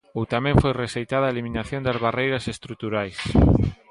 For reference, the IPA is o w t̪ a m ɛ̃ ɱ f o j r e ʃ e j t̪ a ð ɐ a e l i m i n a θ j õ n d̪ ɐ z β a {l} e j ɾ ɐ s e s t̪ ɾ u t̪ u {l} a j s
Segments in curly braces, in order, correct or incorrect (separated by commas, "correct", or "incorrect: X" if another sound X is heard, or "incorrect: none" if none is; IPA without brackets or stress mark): incorrect: r, incorrect: ɾ